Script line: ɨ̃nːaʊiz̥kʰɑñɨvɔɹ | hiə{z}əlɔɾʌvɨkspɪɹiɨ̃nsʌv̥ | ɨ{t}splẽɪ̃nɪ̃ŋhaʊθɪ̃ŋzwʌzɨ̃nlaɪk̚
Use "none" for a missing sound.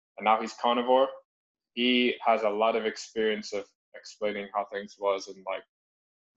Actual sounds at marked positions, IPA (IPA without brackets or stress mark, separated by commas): z, k